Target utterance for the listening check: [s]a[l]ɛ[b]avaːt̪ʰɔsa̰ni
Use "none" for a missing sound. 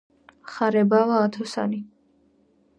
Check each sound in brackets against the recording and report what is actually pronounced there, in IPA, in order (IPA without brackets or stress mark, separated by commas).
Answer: χ, ɾ, b